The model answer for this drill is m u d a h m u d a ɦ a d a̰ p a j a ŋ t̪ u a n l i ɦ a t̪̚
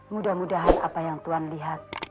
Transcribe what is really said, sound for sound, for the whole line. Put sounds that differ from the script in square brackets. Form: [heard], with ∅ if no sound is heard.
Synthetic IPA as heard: m u d a h m u d a ɦ a [n] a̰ p a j a ŋ t̪ u a n l i ɦ a t̪̚